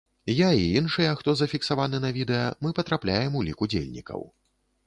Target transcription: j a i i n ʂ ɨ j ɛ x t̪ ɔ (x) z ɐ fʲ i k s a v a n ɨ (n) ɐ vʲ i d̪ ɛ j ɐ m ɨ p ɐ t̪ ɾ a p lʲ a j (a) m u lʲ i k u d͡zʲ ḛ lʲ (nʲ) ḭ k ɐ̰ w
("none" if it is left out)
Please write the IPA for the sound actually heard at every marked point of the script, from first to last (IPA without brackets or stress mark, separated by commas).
none, n, ɛ, nʲ